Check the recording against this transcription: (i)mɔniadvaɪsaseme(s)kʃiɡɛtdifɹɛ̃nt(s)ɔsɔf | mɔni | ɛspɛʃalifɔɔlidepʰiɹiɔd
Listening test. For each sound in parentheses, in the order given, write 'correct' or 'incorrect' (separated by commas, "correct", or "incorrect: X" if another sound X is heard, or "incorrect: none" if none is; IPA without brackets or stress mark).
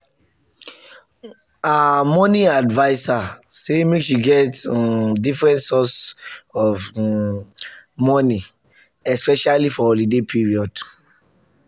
incorrect: a, incorrect: none, correct